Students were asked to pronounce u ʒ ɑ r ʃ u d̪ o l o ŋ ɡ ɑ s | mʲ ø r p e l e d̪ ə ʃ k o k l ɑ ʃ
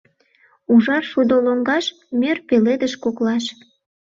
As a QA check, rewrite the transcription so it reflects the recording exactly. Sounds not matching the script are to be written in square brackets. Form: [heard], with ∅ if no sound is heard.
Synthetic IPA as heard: u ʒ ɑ r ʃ u d̪ o l o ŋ ɡ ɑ [ʃ] | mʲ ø r p e l e d̪ ə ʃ k o k l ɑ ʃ